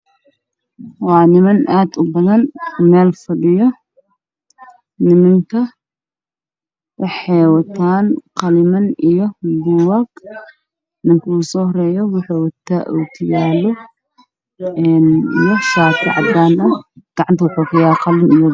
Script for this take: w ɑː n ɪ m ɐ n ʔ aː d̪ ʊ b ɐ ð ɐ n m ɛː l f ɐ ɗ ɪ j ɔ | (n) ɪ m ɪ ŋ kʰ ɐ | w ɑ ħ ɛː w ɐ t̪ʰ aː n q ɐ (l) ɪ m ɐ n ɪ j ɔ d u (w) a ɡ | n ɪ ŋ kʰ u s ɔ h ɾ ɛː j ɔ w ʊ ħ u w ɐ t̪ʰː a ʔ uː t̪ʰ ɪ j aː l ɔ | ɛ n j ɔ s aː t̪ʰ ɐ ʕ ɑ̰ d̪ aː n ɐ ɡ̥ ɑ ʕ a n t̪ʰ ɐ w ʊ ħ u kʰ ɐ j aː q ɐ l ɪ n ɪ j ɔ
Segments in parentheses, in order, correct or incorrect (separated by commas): correct, correct, correct